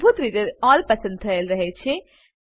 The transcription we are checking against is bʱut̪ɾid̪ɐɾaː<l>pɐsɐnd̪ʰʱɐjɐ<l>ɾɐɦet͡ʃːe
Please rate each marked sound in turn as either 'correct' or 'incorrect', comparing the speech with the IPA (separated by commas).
correct, correct